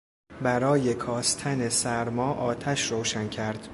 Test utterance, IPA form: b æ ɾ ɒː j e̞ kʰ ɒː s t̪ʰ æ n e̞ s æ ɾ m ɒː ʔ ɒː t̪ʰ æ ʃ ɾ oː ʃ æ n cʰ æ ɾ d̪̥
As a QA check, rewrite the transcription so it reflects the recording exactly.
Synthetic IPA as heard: b æ ɾ ɒː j e̞ kʰ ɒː s t̪ʰ æ n e̞ s æ ɾ m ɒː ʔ ɒː t̪ʰ æ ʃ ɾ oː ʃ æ n cʰ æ ɾ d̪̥